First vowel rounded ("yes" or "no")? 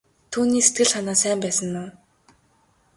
yes